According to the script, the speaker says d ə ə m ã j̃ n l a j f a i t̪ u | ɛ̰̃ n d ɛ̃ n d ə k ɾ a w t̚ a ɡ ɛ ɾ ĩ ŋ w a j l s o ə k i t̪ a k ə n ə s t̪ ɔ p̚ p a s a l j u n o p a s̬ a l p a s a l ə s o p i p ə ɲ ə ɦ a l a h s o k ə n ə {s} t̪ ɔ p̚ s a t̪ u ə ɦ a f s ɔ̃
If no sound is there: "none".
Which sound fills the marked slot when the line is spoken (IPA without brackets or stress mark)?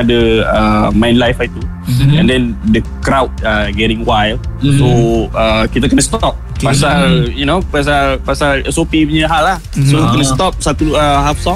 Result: s